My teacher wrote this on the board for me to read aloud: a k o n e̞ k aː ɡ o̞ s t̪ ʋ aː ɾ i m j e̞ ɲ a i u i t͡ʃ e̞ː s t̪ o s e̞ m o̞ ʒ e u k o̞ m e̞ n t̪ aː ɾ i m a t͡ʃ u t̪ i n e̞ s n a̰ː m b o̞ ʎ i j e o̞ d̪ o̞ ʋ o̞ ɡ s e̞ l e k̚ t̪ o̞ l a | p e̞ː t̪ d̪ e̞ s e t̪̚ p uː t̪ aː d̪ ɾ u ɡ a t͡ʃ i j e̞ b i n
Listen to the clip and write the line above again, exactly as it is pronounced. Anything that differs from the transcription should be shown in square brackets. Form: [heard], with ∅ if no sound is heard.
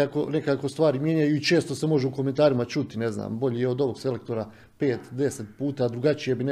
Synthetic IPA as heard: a k o n e̞ k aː [k] o̞ s t̪ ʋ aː ɾ i m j e̞ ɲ a [j] u i t͡ʃ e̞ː s t̪ o s e̞ m o̞ ʒ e u k o̞ m e̞ n t̪ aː ɾ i m a t͡ʃ u t̪ i n e̞ [z] n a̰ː m b o̞ ʎ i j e o̞ d̪ o̞ ʋ o̞ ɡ s e̞ l e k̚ t̪ o̞ [ɾ] a | p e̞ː t̪ d̪ e̞ s e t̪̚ p uː t̪ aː d̪ ɾ u ɡ a t͡ʃ i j e̞ b i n